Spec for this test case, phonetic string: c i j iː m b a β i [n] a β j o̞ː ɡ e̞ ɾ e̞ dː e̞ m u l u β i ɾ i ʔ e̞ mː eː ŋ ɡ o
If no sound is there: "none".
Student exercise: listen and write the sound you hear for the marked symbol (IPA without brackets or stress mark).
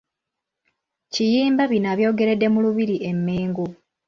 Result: n